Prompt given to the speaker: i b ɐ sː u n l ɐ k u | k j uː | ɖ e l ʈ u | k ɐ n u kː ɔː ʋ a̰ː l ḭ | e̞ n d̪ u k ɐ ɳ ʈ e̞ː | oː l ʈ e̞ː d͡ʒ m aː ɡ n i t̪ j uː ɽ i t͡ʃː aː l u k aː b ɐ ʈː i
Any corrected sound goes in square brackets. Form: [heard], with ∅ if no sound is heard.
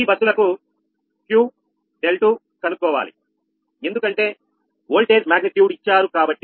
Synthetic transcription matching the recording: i b ɐ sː u [∅] l ɐ k u | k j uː | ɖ e l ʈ u | k ɐ n u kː ɔː ʋ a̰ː l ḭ | e̞ n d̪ u k ɐ ɳ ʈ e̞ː | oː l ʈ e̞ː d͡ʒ m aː ɡ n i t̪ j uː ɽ i t͡ʃː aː [ɾ] u k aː b ɐ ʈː i